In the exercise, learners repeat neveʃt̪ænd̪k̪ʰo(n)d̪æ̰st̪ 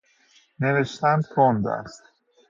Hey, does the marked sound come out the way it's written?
yes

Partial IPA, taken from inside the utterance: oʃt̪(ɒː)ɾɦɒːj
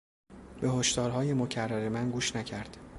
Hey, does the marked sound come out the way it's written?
yes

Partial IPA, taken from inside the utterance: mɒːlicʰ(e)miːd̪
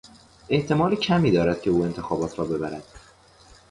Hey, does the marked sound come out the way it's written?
no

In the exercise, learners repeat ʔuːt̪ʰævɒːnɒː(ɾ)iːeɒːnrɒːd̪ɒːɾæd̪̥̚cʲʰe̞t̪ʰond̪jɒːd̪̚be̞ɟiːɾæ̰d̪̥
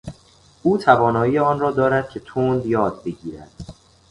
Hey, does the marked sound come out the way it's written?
no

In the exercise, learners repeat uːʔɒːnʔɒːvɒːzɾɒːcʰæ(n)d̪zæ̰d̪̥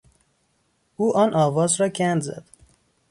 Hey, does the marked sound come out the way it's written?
yes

